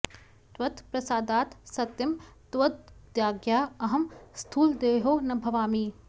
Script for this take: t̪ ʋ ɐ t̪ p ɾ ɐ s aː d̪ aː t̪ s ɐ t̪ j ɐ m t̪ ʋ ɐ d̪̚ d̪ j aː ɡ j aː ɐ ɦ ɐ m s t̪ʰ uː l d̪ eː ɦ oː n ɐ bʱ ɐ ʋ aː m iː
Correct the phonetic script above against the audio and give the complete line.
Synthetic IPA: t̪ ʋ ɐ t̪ p ɾ ɐ s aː d̪ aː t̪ s ɐ t̪ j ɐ m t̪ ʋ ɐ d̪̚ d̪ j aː ɡ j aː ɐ ɦ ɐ m s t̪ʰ uː l d̪ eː ɦ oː n ɐ bʱ ɐ ʋ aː m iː